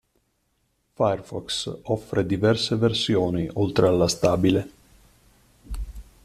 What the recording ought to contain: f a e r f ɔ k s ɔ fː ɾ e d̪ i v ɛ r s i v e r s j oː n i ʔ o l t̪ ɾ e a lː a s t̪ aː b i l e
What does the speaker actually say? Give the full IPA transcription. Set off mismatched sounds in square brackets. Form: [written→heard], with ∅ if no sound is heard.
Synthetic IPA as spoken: f a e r f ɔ k s ɔ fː ɾ e d̪ i v ɛ r s [i→e] v e r s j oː n i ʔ o l t̪ ɾ e a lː a s t̪ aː b i l e